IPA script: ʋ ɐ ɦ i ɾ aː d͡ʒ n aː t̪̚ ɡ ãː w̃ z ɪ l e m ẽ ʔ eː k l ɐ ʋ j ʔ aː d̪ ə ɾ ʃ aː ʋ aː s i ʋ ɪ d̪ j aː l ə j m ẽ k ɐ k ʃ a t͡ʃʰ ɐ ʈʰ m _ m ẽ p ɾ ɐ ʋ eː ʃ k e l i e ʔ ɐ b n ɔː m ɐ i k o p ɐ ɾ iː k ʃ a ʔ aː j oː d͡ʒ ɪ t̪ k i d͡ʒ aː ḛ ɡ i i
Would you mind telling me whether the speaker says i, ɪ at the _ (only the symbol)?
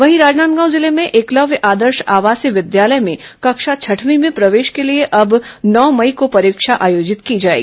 i